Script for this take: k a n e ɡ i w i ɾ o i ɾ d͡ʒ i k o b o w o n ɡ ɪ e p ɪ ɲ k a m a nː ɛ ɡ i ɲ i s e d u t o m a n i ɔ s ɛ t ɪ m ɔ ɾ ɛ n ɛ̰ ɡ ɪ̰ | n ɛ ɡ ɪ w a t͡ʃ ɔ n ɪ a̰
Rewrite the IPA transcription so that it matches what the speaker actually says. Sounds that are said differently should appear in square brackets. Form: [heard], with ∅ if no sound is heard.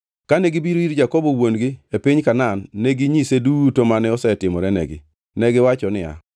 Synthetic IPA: k a n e ɡ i [b] i ɾ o i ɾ d͡ʒ [a] k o b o w o n ɡ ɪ e p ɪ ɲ k a [n] a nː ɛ ɡ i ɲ i s e d u t o m a n [ɛ] ɔ s ɛ t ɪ m ɔ ɾ ɛ n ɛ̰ ɡ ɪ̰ | n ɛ ɡ ɪ w a t͡ʃ ɔ n ɪ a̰